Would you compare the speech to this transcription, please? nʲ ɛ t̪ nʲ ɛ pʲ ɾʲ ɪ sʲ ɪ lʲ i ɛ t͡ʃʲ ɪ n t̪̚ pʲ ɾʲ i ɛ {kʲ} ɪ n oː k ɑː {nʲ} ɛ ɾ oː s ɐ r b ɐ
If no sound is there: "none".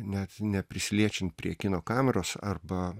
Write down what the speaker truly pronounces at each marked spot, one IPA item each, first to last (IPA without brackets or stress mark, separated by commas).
kʲ, mʲ